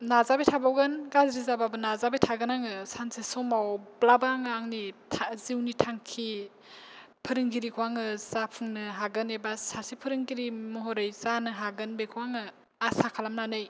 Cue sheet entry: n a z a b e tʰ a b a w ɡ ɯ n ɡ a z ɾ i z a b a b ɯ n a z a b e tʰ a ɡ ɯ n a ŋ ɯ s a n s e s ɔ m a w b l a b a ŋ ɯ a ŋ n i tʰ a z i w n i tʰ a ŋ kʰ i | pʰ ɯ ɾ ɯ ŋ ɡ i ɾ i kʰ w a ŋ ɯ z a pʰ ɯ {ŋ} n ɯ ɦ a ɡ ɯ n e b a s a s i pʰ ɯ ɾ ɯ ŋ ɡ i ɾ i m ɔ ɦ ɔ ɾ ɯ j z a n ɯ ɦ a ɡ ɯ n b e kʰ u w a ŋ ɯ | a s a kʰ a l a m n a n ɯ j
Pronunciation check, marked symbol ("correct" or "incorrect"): correct